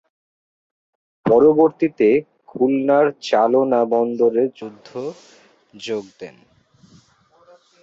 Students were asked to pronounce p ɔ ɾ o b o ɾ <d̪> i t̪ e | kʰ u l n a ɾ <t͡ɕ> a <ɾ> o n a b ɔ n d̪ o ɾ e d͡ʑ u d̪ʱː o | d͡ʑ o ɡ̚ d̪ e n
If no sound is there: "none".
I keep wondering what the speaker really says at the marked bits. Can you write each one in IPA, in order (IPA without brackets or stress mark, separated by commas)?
t̪, t͡ɕ, l